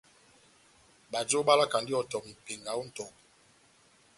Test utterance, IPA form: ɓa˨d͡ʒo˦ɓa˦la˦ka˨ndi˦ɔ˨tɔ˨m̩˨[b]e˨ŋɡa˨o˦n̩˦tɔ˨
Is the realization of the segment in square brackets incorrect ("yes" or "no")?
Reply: yes